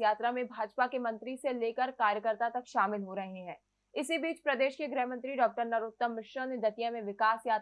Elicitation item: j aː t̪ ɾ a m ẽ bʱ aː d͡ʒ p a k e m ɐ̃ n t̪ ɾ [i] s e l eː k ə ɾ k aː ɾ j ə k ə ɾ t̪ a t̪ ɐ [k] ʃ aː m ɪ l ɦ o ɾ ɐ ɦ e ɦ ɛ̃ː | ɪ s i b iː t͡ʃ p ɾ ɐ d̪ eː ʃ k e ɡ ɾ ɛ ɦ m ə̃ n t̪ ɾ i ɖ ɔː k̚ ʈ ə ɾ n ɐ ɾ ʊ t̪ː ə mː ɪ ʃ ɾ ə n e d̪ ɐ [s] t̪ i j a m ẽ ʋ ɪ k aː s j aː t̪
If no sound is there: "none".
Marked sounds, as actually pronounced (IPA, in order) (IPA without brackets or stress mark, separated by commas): i, k, none